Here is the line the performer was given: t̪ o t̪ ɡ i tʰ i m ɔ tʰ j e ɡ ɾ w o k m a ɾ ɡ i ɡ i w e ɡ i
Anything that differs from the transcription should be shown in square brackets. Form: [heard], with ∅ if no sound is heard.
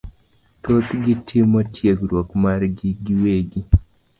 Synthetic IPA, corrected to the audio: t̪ o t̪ ɡ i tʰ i m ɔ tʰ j e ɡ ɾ w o k m a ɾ ɡ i ɡ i w e ɡ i